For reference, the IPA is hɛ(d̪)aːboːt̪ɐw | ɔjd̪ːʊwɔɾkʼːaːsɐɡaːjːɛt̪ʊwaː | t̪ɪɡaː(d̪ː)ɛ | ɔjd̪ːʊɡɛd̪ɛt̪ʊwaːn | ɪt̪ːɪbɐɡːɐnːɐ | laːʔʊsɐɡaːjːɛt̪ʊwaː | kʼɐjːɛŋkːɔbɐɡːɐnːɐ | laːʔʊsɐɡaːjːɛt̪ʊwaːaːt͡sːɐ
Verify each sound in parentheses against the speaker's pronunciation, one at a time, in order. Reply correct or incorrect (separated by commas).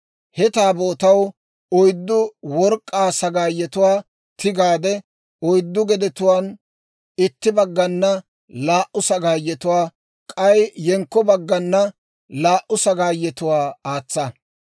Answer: incorrect, incorrect